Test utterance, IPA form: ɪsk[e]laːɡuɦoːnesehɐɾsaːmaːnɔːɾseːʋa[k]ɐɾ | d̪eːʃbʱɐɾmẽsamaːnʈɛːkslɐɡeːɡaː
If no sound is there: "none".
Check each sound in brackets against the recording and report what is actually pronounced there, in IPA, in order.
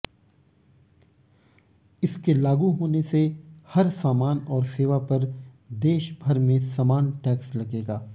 e, p

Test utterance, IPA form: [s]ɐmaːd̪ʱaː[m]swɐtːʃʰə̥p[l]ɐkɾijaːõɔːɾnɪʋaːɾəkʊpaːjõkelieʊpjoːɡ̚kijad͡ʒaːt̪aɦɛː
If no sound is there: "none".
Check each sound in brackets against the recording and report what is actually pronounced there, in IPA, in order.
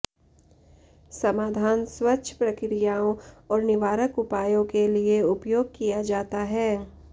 s, n, ɾ

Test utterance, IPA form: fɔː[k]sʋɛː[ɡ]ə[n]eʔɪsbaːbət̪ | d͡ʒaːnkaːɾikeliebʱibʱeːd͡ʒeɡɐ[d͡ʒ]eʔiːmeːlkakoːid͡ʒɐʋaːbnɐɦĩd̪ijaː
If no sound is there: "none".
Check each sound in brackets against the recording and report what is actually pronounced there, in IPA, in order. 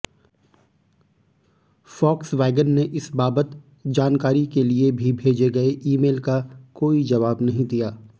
k, ɡ, nː, none

